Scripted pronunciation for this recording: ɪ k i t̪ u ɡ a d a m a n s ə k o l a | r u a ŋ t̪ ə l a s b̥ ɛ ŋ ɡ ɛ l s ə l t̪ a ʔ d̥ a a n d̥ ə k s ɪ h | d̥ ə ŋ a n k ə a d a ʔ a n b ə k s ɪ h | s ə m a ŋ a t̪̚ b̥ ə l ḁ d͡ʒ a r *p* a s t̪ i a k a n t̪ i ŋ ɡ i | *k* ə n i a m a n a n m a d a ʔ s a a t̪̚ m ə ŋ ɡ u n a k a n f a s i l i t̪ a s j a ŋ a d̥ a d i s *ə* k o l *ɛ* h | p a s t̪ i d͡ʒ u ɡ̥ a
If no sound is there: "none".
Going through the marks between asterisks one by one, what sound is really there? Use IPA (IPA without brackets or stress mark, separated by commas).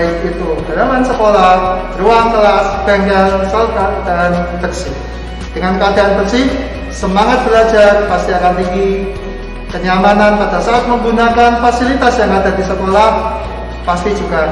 p, k, ə, a